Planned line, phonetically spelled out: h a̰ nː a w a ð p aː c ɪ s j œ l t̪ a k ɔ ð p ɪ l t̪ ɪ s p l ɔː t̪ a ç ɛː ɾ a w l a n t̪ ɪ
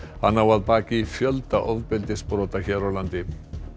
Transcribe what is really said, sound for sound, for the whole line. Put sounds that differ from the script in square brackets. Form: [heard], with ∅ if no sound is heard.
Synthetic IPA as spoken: h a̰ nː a w a ð p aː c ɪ [f] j œ l t̪ a [ʔ] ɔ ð p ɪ l t̪ ɪ s p [ɾ] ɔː t̪ a ç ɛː ɾ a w l a n t̪ ɪ